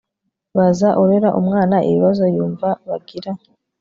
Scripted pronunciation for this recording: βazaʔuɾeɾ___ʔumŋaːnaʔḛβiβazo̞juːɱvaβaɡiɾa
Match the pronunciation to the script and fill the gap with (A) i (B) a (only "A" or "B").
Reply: B